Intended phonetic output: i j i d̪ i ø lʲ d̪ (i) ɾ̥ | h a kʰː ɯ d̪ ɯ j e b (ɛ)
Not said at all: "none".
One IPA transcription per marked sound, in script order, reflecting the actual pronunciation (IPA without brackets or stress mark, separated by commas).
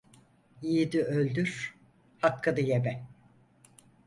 y, ɛ